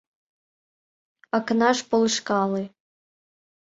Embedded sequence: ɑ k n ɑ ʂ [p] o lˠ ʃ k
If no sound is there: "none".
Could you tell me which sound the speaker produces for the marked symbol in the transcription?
p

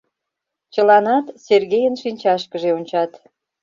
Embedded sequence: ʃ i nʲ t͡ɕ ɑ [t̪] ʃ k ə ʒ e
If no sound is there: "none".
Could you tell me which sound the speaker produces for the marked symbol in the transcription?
none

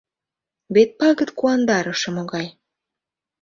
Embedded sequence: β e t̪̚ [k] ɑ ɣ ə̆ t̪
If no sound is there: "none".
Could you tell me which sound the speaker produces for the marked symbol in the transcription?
p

